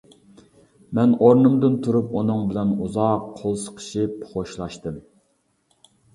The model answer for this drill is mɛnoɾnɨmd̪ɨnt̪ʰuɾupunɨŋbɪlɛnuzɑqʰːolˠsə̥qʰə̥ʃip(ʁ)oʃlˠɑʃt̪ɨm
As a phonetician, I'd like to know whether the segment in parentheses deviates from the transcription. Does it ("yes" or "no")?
yes